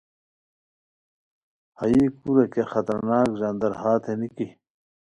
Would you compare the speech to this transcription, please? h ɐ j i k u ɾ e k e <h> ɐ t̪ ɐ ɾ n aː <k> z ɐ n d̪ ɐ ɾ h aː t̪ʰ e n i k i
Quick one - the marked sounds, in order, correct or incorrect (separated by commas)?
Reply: incorrect, correct